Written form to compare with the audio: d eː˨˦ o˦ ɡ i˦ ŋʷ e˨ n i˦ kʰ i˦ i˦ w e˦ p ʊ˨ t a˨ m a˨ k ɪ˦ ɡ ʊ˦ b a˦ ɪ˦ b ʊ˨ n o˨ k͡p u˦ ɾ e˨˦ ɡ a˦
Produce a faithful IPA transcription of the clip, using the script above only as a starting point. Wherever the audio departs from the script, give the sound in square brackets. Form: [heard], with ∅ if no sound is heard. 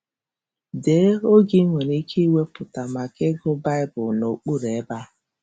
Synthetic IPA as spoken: d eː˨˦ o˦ ɡ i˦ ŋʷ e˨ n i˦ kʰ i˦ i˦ w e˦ p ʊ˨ t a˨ m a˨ k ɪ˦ ɡ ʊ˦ b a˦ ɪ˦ b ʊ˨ n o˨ k͡p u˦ ɾ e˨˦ [b] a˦